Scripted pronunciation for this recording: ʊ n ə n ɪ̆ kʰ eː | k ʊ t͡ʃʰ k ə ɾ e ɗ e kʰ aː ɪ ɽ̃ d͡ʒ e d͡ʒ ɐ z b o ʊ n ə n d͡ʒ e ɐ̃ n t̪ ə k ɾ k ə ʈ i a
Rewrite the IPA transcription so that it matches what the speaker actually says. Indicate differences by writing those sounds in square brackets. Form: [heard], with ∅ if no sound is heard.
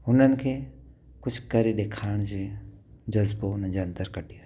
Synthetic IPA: ʊ n ə n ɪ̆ kʰ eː | k ʊ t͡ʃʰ k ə ɾ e ɗ e kʰ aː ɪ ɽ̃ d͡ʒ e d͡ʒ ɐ z b o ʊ n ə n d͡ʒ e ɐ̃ n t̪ ə [∅] ɾ k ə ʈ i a